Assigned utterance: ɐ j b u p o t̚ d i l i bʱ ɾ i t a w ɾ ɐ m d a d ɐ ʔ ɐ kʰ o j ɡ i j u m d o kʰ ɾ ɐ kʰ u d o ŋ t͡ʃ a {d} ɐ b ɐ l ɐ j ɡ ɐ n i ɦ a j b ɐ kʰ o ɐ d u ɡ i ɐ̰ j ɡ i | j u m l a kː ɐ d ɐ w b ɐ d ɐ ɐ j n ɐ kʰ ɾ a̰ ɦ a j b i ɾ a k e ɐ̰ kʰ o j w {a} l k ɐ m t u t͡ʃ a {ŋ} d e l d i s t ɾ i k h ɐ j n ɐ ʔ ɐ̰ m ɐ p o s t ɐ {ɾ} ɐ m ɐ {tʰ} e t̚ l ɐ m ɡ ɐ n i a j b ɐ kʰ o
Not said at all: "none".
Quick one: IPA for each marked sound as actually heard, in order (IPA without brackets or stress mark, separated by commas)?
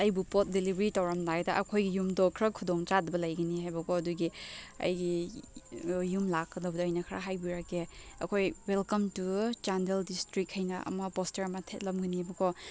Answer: d, e, n, ɾ, tʰ